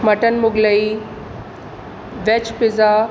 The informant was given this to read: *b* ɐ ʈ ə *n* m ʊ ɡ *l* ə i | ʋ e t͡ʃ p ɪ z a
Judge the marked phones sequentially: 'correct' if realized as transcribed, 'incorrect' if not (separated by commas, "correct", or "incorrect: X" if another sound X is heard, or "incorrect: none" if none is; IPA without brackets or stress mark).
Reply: incorrect: m, correct, correct